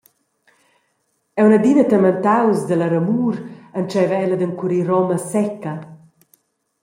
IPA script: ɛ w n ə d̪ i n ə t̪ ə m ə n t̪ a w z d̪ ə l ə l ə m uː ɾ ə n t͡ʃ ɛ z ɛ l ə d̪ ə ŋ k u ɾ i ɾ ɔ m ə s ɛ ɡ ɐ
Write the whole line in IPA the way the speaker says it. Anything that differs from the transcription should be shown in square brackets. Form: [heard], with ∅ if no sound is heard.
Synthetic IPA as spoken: ɛ w n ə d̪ i n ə t̪ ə m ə n t̪ a w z d̪ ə l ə [ɾ] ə m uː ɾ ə n t͡ʃ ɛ [v] ɛ l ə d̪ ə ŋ k u ɾ i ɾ ɔ m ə s ɛ [k] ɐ